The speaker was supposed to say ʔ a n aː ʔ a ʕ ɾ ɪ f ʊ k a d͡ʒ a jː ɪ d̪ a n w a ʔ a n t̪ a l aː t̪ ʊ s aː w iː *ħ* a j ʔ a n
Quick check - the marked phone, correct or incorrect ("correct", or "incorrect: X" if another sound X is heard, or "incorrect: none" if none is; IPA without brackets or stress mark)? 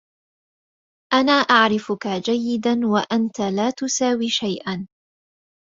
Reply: incorrect: ʃ